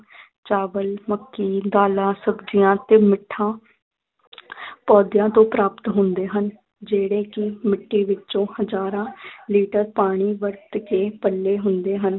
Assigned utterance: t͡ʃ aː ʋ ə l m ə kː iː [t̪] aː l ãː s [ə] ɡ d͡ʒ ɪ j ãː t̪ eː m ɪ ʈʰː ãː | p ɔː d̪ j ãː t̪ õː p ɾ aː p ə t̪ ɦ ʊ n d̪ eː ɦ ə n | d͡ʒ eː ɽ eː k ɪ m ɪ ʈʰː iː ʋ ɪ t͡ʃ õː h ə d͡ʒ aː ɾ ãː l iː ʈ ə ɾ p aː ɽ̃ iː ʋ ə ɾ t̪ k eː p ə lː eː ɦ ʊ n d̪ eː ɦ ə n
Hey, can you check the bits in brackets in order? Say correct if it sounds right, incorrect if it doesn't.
incorrect: d̪, correct

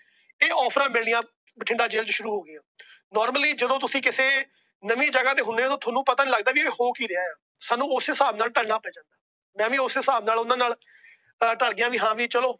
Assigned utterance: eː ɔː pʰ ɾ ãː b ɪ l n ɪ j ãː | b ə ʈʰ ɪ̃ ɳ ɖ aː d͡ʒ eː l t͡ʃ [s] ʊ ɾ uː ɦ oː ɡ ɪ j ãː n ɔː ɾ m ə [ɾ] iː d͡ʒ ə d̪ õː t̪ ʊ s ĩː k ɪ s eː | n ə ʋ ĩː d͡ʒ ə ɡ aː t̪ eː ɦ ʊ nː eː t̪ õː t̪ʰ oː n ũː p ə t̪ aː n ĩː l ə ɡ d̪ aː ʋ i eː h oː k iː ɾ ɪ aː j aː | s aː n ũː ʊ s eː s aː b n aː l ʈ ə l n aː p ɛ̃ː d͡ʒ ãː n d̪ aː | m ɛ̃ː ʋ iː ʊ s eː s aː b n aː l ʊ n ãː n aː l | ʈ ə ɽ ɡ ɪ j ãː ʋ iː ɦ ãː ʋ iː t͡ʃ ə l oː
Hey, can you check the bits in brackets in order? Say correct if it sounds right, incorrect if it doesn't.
incorrect: ʃ, incorrect: l

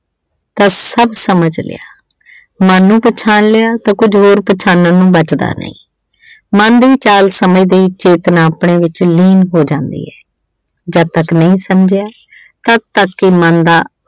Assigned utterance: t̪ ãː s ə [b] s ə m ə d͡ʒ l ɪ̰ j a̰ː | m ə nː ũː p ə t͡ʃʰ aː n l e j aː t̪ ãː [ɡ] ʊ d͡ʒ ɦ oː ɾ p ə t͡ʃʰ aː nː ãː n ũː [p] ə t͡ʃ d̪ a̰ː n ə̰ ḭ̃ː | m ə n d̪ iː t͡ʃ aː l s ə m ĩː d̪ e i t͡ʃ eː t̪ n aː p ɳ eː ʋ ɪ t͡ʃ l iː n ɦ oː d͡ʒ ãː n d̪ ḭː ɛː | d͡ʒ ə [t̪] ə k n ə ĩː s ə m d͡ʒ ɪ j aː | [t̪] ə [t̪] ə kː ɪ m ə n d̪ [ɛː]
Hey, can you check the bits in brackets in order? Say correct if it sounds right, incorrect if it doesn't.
correct, incorrect: k, incorrect: b, correct, correct, correct, incorrect: aː

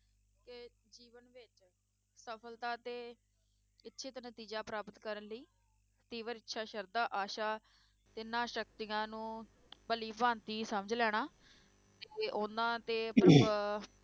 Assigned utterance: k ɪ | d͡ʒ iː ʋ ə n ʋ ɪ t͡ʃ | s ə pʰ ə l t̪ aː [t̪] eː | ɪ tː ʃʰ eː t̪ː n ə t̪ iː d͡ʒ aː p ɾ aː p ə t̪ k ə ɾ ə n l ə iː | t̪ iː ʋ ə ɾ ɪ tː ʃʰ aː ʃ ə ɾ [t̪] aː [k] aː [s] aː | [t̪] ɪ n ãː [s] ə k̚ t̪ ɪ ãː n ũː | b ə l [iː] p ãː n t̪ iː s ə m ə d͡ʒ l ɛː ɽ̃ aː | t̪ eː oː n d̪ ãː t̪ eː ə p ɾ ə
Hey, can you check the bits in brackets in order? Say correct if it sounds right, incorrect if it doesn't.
correct, incorrect: d̪, incorrect: ʔ, incorrect: ʃ, correct, incorrect: ʃ, correct

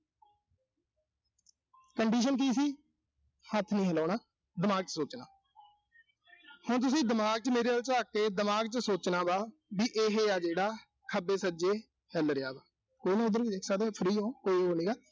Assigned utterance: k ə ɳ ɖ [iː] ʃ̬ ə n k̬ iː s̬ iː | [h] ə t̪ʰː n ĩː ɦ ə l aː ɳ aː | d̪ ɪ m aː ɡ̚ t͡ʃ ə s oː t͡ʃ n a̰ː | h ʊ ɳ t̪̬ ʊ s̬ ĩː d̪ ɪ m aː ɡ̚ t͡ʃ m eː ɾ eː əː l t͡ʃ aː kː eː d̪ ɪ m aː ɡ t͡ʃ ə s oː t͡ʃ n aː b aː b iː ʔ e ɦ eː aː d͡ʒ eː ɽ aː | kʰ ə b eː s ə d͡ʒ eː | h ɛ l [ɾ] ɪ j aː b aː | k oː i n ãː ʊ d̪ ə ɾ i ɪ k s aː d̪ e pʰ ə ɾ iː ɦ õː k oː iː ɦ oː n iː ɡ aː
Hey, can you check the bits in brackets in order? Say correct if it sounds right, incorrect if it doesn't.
correct, correct, correct

